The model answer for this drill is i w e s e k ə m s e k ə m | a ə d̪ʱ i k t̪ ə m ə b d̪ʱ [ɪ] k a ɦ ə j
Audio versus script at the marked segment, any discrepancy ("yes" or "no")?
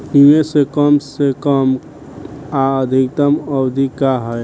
yes